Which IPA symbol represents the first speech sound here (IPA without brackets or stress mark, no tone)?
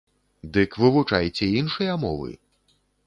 d̪